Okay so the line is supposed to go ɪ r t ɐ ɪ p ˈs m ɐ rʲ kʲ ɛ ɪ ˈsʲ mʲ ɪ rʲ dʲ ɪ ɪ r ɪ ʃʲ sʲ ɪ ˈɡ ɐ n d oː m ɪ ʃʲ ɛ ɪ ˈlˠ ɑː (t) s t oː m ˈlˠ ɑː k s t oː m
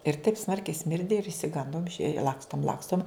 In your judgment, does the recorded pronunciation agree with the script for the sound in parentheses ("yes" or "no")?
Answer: no